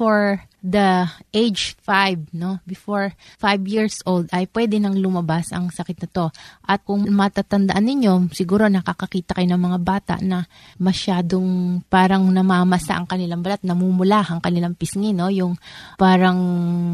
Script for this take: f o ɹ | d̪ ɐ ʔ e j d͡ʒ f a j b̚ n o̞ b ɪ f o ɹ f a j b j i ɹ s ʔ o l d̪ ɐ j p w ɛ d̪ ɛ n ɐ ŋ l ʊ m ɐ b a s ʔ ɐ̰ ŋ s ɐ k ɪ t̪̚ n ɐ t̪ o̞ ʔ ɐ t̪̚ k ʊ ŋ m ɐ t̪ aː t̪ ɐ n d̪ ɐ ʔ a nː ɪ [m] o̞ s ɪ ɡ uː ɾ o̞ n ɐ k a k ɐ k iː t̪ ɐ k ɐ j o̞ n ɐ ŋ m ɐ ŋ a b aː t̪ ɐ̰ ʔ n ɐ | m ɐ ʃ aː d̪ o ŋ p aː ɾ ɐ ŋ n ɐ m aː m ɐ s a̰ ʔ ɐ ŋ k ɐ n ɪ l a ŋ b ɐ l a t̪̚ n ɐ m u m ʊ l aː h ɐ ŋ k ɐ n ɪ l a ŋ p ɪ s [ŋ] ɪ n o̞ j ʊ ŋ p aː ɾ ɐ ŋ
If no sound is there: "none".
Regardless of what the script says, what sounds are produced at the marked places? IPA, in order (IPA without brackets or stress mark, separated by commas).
ɲ, ŋ